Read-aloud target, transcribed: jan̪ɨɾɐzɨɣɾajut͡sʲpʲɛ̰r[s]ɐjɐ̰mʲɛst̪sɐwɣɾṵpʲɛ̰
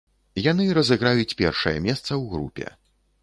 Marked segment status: incorrect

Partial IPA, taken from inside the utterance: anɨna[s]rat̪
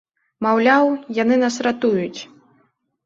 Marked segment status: correct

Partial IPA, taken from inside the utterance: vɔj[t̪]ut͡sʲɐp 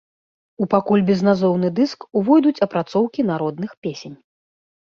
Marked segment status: incorrect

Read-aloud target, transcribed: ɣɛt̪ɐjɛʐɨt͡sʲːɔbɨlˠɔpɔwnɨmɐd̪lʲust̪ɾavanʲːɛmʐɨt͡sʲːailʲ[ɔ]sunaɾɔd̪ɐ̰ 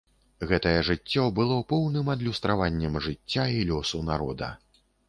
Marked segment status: correct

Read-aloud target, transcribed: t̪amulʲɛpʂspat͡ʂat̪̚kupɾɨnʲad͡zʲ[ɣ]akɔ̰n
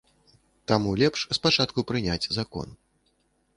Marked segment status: incorrect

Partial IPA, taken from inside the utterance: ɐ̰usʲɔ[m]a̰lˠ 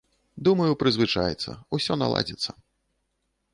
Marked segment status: incorrect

